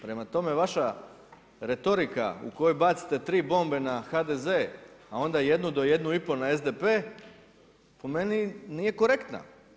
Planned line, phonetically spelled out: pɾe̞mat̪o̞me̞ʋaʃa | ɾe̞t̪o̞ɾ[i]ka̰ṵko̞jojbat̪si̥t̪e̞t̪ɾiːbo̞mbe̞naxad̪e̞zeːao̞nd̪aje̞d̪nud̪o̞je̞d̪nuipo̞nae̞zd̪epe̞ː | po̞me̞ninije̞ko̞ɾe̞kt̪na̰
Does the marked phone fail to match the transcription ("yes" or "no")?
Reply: no